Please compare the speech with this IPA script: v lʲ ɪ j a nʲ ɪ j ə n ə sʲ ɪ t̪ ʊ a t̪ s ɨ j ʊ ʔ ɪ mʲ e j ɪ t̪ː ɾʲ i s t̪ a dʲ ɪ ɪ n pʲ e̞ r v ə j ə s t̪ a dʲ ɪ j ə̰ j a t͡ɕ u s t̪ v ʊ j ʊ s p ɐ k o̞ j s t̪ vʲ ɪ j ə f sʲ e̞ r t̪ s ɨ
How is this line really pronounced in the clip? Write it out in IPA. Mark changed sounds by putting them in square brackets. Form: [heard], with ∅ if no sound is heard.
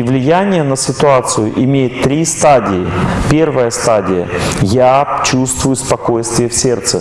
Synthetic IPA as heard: v lʲ ɪ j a nʲ ɪ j ə n ə sʲ ɪ t̪ ʊ a t̪ s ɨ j ʊ ʔ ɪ mʲ e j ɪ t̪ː ɾʲ i s t̪ a dʲ ɪ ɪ [∅] pʲ e̞ r v ə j ə s t̪ a dʲ ɪ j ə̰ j a t͡ɕ u s t̪ v ʊ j ʊ s p ɐ k o̞ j s t̪ vʲ ɪ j ə f sʲ e̞ r t̪ s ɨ